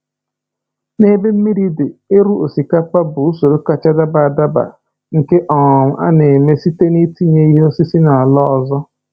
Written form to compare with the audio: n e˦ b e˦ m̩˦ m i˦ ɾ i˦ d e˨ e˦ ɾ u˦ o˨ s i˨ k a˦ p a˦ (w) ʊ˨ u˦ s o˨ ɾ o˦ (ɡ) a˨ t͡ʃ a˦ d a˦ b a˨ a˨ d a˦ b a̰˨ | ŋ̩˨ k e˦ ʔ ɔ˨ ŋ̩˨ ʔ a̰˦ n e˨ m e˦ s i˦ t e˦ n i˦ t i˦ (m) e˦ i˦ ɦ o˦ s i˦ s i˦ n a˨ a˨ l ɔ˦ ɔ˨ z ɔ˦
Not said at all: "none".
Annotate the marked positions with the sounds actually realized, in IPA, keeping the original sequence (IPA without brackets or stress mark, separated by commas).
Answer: b, k, ɲ